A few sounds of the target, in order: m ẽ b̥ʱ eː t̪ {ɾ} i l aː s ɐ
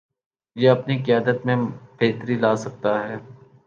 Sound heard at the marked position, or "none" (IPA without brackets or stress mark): ɾ